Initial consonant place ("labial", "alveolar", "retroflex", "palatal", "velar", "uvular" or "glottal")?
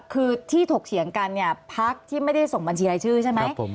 velar